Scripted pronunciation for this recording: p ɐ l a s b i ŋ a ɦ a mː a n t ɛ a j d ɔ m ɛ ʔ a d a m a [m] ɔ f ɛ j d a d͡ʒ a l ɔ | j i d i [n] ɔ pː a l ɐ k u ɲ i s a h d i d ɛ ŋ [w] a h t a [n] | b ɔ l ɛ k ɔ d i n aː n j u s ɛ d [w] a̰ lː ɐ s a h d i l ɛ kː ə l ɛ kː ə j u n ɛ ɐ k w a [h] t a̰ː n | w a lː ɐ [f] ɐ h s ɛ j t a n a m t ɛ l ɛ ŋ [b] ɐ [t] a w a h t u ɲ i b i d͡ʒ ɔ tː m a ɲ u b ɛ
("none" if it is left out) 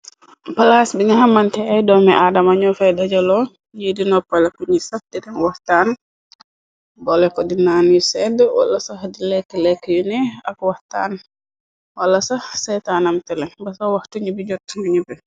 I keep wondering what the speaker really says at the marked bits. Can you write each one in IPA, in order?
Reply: ɲ, n, w, n, w, h, s, b, s

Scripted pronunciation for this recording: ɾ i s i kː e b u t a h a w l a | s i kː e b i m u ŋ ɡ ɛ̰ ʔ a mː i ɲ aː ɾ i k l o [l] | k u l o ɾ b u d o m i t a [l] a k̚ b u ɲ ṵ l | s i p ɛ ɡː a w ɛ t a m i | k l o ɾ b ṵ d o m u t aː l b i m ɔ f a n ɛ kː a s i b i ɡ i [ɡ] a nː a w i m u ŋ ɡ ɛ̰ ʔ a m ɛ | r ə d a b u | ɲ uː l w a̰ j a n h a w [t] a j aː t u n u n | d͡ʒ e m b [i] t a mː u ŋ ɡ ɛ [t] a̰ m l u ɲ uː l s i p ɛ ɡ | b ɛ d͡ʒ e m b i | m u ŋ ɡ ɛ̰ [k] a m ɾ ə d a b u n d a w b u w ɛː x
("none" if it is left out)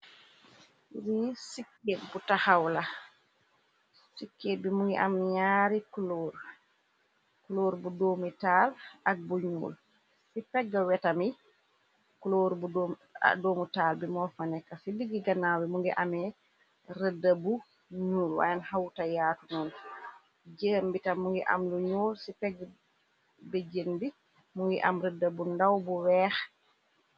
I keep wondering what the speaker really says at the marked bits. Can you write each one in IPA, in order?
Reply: ɾ, l, ɡ, t, i, ʔ, ʔ

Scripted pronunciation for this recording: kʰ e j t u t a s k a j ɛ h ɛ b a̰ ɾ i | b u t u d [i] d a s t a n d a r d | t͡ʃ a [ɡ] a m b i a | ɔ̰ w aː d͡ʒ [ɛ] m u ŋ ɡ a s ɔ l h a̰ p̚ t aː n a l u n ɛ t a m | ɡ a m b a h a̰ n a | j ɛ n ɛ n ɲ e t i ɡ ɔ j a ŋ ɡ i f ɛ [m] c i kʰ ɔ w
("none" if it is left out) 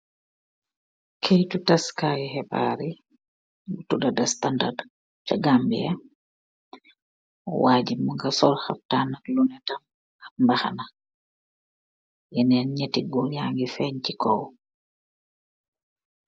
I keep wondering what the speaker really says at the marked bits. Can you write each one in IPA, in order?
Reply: a, ɡ, i, ɲ

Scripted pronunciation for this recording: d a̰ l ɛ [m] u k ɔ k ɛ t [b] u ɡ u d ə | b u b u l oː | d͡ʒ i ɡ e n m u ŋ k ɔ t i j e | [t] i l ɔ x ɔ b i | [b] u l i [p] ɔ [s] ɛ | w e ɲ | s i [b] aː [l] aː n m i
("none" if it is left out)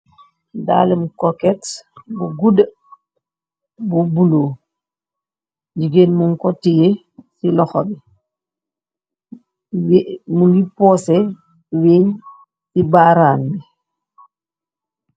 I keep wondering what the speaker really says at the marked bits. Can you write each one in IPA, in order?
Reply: m, b, s, m, p, s, b, ɾ

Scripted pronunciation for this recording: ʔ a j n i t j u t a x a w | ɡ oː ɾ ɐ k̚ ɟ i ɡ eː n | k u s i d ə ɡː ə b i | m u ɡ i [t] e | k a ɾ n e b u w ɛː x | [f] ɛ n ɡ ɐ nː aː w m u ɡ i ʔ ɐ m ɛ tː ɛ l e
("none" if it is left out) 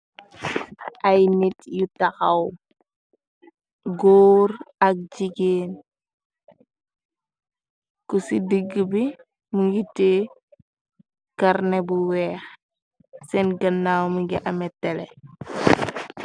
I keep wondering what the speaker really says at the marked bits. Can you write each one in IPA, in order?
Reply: t, s

